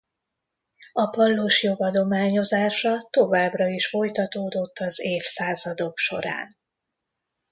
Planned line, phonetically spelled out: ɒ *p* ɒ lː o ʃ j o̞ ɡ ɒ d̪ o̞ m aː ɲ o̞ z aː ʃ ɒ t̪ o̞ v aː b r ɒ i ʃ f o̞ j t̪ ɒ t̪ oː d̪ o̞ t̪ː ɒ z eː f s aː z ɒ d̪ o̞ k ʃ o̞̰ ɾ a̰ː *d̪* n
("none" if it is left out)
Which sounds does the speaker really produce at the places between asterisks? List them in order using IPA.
p, none

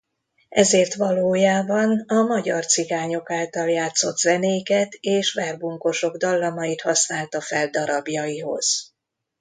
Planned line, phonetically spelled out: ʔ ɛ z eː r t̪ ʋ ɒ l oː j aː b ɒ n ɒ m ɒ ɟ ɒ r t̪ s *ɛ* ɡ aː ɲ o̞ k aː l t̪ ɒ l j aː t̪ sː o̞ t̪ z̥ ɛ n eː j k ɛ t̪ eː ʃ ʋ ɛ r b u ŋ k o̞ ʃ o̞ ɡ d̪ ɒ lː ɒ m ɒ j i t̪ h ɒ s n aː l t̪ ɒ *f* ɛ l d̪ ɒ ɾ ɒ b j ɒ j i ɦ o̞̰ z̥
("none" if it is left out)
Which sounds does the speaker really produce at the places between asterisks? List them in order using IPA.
i, f

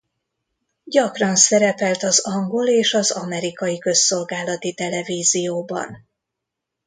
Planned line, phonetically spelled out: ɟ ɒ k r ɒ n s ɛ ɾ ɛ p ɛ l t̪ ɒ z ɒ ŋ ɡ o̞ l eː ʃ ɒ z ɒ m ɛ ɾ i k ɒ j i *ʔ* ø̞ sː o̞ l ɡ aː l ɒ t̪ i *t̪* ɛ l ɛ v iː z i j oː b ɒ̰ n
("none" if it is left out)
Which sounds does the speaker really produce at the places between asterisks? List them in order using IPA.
k, t̪

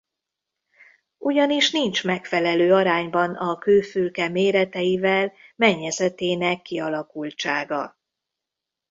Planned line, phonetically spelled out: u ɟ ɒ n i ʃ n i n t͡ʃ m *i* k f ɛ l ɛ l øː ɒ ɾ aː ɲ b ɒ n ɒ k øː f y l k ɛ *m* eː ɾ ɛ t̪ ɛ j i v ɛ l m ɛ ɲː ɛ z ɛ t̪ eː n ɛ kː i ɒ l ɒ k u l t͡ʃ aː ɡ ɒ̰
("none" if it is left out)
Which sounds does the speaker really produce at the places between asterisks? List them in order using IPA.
ɛ, m

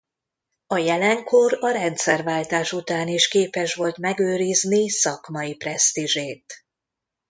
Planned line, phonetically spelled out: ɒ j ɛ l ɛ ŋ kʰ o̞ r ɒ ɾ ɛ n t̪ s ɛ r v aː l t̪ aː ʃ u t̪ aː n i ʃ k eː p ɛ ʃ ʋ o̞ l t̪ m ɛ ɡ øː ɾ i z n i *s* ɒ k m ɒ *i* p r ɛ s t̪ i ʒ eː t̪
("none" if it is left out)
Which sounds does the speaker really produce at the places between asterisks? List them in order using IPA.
s, i

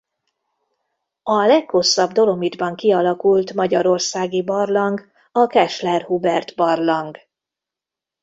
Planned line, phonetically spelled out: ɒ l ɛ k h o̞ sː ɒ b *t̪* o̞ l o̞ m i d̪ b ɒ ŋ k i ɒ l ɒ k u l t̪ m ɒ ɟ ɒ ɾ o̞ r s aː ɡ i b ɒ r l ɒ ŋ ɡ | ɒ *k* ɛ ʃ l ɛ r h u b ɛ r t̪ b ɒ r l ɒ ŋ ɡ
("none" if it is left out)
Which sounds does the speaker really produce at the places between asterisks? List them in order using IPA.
d̪, k

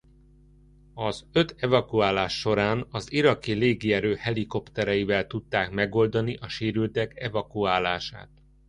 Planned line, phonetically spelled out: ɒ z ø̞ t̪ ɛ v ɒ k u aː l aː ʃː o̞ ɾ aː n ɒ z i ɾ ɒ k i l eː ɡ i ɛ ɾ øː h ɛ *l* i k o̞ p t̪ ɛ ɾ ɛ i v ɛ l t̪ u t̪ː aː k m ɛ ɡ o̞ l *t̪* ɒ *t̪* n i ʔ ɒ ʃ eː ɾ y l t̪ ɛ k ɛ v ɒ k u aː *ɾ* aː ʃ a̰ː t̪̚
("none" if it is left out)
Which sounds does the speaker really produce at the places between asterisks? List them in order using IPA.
l, d̪, none, l

